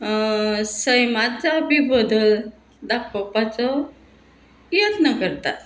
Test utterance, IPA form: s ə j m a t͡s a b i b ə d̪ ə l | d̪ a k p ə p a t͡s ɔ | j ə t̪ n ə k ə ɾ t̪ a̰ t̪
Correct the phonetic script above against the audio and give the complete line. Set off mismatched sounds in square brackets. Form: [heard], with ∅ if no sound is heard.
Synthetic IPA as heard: s ə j m a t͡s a b i b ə d̪ ə l | d̪ a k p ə p a t͡s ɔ | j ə t̪ n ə k ə ɾ t̪ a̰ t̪